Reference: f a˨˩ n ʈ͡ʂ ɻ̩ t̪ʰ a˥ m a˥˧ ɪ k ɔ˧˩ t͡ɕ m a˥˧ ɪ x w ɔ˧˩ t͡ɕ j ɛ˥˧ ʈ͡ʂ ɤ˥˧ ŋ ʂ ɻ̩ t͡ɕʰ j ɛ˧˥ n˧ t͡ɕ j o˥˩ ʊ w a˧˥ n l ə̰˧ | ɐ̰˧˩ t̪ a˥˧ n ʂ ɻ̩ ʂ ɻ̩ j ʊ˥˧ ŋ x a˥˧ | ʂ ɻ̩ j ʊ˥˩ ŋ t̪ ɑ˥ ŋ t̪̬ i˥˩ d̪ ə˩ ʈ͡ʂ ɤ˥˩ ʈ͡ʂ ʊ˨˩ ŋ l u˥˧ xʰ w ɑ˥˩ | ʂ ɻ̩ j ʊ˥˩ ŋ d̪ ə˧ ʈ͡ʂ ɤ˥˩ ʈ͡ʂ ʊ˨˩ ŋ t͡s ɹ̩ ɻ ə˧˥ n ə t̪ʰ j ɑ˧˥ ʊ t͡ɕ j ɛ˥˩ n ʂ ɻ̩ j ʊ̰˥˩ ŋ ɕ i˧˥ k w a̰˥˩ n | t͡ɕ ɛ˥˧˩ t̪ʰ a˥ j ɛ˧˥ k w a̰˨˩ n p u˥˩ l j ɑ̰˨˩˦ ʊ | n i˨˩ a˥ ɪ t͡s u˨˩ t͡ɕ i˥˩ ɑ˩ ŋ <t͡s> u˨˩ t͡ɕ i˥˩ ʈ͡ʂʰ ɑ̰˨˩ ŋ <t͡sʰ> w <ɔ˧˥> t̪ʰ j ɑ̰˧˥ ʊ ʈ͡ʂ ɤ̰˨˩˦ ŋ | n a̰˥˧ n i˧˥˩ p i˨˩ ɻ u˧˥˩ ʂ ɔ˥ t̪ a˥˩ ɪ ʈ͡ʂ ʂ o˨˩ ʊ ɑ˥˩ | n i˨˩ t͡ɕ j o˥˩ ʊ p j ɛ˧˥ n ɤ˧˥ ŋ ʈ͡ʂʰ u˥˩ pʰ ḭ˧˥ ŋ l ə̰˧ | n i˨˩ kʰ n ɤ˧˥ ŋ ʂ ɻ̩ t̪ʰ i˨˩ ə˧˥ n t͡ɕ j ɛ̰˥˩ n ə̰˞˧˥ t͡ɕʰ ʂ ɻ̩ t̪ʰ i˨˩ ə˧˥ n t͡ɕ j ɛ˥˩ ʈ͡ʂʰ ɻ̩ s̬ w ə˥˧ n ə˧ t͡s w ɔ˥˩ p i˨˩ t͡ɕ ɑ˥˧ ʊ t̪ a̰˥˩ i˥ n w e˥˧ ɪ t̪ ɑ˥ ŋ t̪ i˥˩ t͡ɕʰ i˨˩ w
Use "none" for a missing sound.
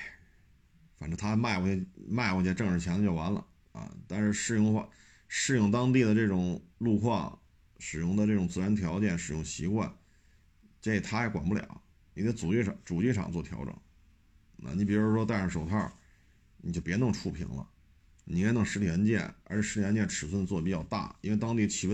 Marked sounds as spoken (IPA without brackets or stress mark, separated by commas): t͡s, t͡s, ɔ˥˩